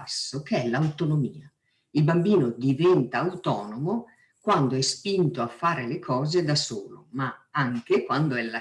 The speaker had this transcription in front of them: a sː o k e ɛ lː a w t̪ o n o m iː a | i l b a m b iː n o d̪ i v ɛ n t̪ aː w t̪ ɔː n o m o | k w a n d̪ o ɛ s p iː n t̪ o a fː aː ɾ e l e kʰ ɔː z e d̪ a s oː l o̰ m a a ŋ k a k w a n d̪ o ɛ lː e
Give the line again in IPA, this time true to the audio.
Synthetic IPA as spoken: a sː o k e ɛ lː a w t̪ o n o m iː a | i l b a m b iː n o d̪ i v ɛ n t̪ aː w t̪ ɔː n o m o | k w a n d̪ o ɛ s p i n t̪ o a fː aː ɾ e l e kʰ ɔː z e d̪ a s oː l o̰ m a a ŋ k e k w a n d̪ o ɛ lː a